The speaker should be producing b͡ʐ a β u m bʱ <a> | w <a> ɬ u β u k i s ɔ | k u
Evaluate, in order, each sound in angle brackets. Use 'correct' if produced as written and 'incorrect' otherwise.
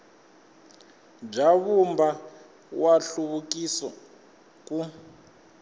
correct, correct

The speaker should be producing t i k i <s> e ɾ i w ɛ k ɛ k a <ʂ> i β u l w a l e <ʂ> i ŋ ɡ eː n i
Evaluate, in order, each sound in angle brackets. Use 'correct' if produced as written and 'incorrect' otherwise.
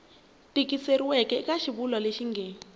correct, incorrect, incorrect

